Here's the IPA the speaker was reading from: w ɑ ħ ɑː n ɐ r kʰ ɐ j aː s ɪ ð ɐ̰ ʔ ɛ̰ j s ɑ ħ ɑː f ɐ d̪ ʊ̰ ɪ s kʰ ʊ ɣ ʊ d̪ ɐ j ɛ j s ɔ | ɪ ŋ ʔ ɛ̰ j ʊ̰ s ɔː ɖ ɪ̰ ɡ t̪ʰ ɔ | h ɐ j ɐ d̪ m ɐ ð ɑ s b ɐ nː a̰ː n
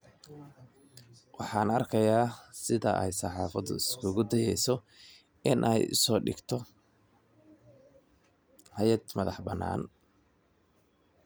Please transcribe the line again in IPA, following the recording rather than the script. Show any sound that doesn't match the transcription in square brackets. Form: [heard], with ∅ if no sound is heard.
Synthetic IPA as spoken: w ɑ ħ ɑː n ɐ r kʰ ɐ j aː s ɪ ð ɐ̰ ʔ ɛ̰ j s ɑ ħ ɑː f ɐ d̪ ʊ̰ ɪ s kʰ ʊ ɣ ʊ d̪ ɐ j ɛ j s ɔ | ɪ [n] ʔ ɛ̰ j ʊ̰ s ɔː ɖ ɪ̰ ɡ t̪ʰ ɔ | h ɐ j ɐ d̪ m ɐ ð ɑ [ħ] b ɐ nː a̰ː n